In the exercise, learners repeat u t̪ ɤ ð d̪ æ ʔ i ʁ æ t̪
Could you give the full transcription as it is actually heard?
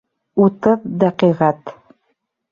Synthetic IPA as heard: u t̪ ɤ ð d̪ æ q i ʁ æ t̪